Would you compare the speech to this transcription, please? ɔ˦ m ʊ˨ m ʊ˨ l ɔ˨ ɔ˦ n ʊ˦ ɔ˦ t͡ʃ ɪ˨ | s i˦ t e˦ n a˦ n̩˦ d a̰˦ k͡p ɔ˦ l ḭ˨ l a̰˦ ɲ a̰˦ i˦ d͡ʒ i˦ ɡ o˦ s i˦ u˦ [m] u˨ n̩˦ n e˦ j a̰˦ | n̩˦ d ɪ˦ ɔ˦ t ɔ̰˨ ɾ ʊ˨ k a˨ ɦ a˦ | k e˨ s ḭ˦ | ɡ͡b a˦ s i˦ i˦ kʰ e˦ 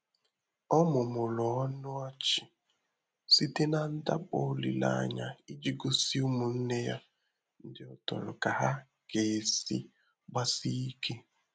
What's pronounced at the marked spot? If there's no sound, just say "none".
m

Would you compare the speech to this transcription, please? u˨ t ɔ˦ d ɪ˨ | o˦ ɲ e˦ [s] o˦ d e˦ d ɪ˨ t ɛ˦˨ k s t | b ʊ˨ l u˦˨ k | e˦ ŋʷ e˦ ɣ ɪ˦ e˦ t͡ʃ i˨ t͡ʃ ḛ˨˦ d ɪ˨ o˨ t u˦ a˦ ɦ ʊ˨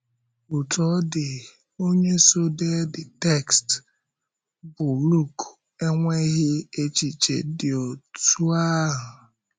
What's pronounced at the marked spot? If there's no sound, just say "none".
s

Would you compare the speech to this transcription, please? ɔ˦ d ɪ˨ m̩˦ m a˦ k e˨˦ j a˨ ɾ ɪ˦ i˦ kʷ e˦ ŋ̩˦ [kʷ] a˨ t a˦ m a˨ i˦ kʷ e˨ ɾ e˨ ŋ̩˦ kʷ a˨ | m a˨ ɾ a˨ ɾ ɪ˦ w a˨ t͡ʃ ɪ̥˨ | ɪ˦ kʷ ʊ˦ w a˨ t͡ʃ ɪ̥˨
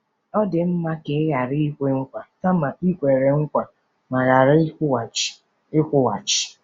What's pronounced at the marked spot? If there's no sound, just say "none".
kʷ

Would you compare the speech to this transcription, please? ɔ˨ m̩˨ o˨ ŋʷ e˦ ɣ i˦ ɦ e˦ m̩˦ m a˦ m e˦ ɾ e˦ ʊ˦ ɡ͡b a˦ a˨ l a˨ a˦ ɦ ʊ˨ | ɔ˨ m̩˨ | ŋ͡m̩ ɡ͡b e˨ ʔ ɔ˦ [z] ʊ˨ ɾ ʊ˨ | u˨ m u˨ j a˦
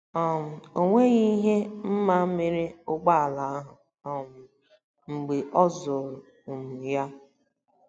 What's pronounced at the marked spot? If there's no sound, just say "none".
z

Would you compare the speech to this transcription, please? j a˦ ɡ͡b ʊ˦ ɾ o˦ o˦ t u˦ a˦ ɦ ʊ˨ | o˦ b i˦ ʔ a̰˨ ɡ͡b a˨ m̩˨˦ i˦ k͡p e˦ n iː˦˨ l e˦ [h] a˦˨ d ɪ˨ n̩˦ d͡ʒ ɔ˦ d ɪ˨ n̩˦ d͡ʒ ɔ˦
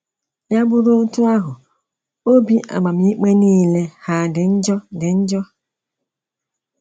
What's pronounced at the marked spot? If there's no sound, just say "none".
h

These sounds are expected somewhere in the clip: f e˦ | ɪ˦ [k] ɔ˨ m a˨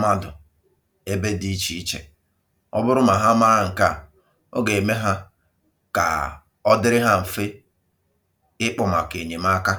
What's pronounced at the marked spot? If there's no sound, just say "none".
k͡p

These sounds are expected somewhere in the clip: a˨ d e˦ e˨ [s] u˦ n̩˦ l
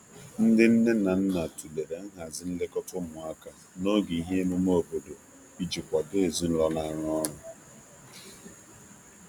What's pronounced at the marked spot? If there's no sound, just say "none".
z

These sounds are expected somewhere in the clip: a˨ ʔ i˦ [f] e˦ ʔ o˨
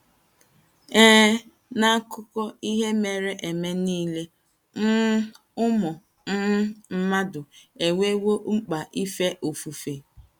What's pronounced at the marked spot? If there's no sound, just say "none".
f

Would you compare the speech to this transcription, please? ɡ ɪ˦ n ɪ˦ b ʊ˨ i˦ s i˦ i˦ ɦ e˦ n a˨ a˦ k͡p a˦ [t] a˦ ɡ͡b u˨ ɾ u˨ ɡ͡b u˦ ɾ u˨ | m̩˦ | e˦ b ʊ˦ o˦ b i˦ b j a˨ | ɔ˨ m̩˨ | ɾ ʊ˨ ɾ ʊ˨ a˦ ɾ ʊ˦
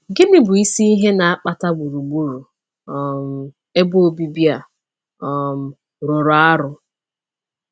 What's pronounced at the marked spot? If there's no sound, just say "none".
t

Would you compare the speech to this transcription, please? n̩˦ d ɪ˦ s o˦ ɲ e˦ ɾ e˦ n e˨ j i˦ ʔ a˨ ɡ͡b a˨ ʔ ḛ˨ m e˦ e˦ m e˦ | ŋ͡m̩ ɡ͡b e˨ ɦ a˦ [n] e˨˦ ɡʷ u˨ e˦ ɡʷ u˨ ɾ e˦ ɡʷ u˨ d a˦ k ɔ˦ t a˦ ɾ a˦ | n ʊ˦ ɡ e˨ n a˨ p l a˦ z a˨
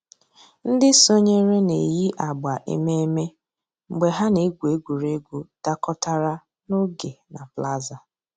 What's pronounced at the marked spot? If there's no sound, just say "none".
n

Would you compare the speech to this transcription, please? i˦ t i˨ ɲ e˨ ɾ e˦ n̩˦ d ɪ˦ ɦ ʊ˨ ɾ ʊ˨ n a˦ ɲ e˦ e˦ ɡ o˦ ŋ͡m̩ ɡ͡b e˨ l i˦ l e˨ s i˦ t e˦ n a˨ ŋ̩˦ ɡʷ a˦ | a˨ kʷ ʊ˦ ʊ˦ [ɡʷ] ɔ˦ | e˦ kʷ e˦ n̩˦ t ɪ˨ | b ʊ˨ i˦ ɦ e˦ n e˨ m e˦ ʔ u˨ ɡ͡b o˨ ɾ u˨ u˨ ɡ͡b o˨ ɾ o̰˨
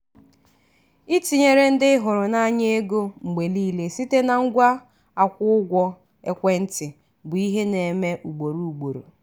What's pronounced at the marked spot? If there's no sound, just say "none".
ɡʷ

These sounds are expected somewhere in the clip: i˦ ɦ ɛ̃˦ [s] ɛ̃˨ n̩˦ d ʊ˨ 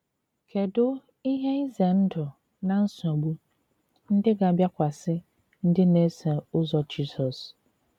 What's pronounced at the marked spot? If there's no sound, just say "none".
z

